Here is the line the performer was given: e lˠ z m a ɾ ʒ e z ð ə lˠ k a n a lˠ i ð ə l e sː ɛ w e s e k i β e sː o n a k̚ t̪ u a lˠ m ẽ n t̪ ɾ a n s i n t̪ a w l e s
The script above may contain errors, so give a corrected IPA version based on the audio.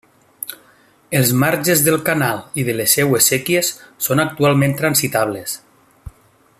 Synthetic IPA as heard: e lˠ z m a ɾ ʒ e z ð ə lˠ k a n a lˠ i ð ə l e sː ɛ w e s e k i e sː o n a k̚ t̪ u a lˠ m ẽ n t̪ ɾ a n s i t̪ a β l e s